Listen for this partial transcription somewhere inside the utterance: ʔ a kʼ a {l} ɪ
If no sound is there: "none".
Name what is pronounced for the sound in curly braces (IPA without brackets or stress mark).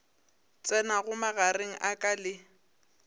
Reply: l